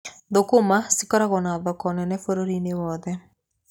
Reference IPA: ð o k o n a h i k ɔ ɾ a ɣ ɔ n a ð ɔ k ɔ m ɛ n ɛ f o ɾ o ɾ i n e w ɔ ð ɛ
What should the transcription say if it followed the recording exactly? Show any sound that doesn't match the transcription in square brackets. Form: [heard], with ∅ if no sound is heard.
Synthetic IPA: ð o k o [m] a [s] i k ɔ ɾ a ɣ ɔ n a ð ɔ k ɔ [n] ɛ n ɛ f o ɾ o ɾ i n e w ɔ ð ɛ